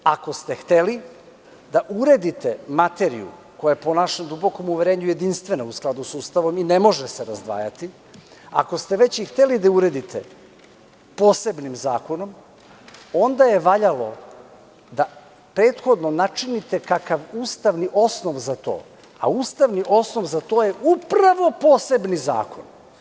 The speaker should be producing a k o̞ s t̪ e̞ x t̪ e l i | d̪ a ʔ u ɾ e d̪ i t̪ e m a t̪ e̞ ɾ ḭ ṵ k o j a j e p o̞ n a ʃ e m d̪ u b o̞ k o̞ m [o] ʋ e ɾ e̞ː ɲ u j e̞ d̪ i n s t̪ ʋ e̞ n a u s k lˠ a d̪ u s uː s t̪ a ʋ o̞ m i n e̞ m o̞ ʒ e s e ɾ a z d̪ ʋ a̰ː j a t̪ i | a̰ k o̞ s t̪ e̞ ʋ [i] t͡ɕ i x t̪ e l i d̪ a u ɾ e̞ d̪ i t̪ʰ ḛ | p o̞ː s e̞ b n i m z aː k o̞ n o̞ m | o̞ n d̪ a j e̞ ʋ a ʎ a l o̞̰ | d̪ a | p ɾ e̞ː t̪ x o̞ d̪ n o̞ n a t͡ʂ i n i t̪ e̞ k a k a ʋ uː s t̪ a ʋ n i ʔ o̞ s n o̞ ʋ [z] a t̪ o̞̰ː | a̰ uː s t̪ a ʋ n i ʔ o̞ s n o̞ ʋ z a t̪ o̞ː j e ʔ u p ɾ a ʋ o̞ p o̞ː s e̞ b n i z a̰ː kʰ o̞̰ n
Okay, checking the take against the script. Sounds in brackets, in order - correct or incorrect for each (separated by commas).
incorrect, incorrect, correct